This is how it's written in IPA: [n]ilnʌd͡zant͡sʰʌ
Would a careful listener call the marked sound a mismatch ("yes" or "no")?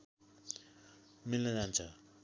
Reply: yes